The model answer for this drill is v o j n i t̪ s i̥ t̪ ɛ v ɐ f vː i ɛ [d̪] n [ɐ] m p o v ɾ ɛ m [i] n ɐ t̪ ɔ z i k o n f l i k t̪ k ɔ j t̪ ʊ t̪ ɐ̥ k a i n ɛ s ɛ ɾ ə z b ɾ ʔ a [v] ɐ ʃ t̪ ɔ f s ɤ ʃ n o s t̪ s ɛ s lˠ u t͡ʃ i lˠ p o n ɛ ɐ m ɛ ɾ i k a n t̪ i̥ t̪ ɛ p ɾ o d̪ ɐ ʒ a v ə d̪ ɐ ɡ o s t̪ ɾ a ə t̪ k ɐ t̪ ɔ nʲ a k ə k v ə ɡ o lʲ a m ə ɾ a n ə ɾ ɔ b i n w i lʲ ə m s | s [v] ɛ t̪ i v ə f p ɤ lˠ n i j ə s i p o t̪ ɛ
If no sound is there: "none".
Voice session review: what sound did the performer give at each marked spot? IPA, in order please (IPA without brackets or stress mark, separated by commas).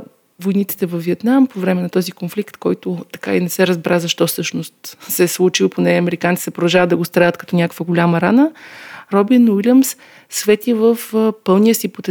t̪, a, ɛ, z, v